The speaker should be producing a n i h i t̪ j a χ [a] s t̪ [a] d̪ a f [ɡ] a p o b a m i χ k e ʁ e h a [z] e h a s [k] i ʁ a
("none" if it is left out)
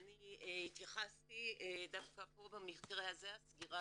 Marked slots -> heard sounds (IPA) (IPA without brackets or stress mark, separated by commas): a, i, k, z, ɡ